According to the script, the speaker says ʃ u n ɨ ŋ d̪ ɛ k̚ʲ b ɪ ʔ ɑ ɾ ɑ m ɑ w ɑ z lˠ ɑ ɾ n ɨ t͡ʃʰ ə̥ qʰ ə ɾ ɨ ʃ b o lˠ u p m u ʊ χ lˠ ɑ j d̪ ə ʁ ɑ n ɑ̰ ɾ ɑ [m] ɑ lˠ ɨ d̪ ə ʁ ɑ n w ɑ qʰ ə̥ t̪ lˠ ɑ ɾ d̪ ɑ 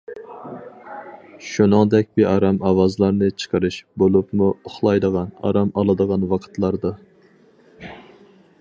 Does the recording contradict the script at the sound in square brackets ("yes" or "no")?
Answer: no